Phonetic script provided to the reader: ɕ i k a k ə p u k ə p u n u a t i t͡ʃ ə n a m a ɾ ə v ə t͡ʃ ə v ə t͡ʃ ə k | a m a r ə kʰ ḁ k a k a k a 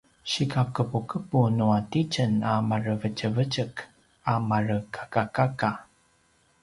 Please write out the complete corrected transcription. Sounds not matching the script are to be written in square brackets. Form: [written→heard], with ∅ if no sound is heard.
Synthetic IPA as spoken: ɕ i k a k ə p u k ə p u n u a t i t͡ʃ ə n a m a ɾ ə v ə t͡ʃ ə v ə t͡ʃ ə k | a m a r ə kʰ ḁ k a k a k a